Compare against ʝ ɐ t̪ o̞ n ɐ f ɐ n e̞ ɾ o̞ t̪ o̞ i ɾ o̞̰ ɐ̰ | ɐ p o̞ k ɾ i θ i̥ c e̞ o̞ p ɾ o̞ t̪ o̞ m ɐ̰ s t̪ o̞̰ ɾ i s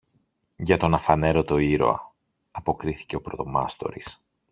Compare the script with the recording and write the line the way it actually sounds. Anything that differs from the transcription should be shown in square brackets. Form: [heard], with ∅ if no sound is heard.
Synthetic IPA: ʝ ɐ t̪ o̞ n ɐ f ɐ n e̞ ɾ o̞ t̪ o̞ i ɾ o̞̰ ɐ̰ | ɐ p o̞ k ɾ i θ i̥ c e̞ o̞ p ɾ o̞ t̪ o̞ m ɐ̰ s t̪ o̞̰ ɾ i s